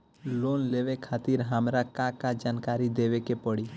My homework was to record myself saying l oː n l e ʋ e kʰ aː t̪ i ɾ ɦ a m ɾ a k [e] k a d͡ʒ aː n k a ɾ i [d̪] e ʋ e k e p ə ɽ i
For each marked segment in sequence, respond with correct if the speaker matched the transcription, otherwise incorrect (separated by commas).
incorrect, correct